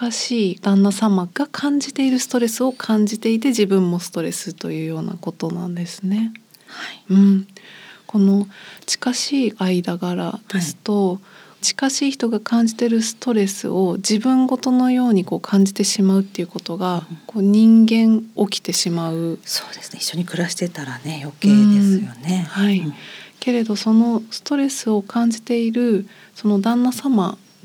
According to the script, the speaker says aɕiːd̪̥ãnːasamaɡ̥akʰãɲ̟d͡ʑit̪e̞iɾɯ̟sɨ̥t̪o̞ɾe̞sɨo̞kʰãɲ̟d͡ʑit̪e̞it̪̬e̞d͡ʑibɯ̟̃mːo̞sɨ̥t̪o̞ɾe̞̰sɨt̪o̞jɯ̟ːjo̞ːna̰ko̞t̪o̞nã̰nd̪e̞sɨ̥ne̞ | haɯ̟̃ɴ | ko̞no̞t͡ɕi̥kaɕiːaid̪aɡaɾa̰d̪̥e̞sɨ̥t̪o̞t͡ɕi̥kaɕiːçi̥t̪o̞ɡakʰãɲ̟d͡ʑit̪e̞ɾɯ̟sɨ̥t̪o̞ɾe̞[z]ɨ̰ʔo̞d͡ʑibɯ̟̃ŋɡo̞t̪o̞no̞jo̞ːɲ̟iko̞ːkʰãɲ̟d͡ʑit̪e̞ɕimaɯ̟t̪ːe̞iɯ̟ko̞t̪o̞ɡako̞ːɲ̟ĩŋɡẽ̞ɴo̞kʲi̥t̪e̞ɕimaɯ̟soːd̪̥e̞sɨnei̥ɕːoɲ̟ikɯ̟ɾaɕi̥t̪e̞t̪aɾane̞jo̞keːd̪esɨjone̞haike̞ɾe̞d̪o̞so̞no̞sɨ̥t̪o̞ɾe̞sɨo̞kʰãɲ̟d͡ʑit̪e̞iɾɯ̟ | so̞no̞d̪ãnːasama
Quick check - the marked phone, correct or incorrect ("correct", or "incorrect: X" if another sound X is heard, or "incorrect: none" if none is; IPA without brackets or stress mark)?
incorrect: s